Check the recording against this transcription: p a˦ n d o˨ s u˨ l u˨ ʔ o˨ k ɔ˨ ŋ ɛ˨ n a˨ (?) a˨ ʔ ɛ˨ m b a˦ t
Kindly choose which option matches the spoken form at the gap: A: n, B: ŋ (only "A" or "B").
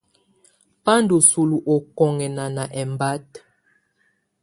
A